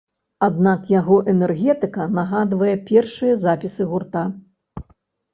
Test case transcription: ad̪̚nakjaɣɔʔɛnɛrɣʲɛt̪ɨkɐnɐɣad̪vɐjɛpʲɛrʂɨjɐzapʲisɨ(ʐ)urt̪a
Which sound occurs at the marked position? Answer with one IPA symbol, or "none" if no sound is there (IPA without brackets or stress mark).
ɣ